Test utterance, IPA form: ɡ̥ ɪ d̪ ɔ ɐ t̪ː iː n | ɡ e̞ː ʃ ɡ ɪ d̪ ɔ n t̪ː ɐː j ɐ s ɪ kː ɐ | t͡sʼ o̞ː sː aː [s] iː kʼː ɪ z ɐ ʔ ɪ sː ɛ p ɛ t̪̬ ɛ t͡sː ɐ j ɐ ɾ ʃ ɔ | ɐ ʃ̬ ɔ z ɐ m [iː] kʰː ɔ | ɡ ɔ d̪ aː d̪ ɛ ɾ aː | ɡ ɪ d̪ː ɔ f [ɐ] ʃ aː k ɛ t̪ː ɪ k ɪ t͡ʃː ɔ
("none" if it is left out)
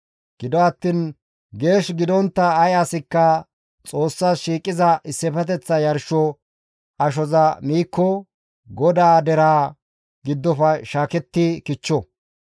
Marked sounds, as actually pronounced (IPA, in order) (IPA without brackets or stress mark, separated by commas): ʃ, iː, ɐ